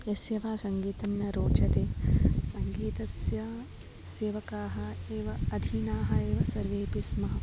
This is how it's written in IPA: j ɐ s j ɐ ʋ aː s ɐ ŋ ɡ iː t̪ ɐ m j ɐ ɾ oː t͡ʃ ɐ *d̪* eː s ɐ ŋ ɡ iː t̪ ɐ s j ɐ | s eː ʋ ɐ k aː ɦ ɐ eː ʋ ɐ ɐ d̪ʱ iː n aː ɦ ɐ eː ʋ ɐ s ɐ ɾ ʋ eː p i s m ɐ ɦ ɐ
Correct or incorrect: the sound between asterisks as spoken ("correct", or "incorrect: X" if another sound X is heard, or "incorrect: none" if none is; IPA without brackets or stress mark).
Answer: incorrect: t̪